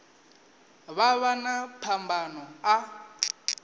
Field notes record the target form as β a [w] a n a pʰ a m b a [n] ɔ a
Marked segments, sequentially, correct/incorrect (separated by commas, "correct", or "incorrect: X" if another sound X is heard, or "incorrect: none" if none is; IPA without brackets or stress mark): incorrect: β, correct